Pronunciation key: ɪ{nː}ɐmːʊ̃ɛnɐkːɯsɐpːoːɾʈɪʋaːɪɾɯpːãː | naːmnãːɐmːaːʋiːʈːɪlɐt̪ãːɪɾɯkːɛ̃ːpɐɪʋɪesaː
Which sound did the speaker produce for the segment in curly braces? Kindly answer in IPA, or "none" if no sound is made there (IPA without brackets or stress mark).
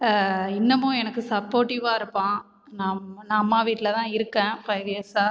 nː